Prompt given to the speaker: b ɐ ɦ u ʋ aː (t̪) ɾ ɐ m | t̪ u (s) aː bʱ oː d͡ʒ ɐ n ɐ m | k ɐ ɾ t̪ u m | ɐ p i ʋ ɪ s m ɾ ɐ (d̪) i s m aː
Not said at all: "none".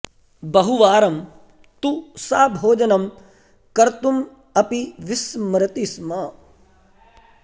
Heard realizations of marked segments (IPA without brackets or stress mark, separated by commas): none, s, t̪